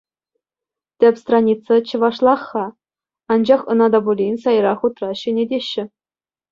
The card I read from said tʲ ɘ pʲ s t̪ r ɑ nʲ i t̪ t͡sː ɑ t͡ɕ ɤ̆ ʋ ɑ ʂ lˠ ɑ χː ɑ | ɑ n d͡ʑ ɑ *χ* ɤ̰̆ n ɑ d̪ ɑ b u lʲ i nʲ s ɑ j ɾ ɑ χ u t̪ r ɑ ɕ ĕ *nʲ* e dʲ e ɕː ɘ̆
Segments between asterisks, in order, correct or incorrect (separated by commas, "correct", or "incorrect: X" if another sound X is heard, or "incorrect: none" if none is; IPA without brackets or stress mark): correct, correct